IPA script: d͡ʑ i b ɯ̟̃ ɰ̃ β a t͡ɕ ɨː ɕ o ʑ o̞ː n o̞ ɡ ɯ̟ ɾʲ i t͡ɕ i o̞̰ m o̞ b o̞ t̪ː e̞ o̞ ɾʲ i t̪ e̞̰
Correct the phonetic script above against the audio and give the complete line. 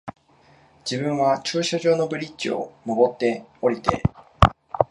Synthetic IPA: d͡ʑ i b ɯ̟̃ ɰ̃ β a t͡ɕ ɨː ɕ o ʑ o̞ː n o̞ b ɯ̟ ɾʲ i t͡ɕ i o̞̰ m o̞ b o̞ t̪ː e̞ o̞ ɾʲ i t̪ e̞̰

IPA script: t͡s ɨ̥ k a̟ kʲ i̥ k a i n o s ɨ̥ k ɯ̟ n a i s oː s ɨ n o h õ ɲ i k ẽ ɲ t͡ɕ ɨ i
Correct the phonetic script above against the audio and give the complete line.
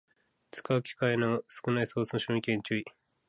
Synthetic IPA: t͡s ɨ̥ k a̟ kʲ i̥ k a i n o s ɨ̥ k ɯ̟ n a i s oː s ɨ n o ɕ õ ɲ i k ẽ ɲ t͡ɕ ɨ i

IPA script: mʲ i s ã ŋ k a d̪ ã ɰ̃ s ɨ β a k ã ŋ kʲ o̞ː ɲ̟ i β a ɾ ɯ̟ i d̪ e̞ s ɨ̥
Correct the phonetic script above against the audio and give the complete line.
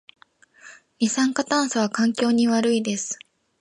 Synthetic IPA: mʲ i s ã ŋ k a t̪ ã ɰ̃ s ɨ β a k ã ŋ kʲ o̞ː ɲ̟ i β a ɾ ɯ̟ i d̪ e̞ s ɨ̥

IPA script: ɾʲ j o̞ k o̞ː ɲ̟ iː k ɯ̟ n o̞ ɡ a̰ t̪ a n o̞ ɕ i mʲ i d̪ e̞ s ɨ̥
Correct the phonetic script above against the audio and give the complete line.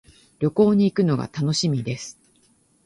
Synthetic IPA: ɾʲ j o̞ k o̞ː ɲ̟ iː k ɯ̟ n o̞ ɡ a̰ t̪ a n o̞ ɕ i mʲ i d̪ e̞ s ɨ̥

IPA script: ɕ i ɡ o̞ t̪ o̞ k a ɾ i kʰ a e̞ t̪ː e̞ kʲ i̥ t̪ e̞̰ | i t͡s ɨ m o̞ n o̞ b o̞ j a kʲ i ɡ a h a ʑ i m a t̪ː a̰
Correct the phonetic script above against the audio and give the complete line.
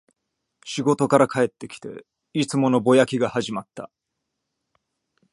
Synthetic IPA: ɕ i ɡ o̞ t̪ o̞ k a ɾ a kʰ a e̞ t̪ː e̞ kʲ i̥ t̪ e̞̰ | i t͡s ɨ m o̞ n o̞ b o̞ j a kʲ i ɡ a h a ʑ i m a t̪ː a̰

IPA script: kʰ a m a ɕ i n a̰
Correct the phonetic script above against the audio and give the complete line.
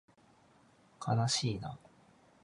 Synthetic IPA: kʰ a n a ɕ iː n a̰

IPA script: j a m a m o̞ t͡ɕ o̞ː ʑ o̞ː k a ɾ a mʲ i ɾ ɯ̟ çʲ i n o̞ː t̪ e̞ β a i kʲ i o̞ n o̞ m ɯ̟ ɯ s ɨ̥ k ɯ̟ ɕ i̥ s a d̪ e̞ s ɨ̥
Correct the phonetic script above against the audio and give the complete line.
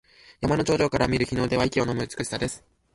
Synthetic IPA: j a m a n o̞ t͡ɕ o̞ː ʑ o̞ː k a ɾ a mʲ i ɾ ɯ̟ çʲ i n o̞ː d̪ e̞ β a i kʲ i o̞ n o̞ m ɯ̟ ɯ t͡s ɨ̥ k ɯ̟ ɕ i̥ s a d̪ e̞ s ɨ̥

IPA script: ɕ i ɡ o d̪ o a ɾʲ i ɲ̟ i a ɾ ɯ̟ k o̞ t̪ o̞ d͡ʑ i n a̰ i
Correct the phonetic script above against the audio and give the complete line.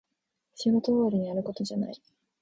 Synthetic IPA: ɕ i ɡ o t̪ o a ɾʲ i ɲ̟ i a ɾ ɯ̟ k o̞ t̪ o̞ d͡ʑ a n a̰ i

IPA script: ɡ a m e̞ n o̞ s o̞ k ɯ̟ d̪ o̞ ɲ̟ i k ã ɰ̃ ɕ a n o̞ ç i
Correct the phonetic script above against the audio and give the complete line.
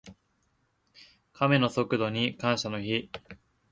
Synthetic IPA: k a m e̞ n o̞ s o̞ k ɯ̟ d̪ o̞ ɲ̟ i k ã ɰ̃ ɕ a n o̞ ç i

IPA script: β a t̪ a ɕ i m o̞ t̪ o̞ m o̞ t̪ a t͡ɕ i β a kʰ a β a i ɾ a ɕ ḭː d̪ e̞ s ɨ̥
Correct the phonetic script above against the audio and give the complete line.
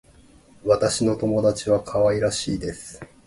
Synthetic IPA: β a t̪ a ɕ i n o̞ t̪ o̞ m o̞ d̪ a t͡ɕ i β a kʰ a β a i ɾ a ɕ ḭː d̪ e̞ s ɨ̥

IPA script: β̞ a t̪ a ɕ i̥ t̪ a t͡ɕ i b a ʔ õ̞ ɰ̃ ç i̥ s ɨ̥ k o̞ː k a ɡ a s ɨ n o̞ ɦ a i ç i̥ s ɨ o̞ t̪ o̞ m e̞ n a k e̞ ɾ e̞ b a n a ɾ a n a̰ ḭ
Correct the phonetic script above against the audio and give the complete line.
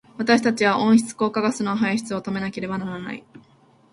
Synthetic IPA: β̞ a t̪ a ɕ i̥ t̪ a t͡ɕ i β a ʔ õ̞ ɰ̃ ç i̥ t͡s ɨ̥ k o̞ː k a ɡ a s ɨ n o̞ ɦ a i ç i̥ t͡s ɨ o̞ t̪ o̞ m e̞ n a k e̞ ɾ e̞ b a n a ɾ a n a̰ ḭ

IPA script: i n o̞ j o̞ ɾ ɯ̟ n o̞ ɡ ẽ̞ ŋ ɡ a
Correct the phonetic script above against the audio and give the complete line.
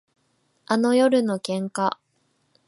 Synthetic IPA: a n o̞ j o̞ ɾ ɯ̟ n o̞ k ẽ̞ ŋ k a

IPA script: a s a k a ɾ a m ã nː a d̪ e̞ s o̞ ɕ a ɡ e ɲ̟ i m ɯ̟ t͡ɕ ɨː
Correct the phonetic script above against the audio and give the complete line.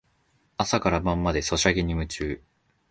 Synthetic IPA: a s a k a ɾ a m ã mː a d̪ e̞ s o̞ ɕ a ɡ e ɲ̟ i m ɯ̟ t͡ɕ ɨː

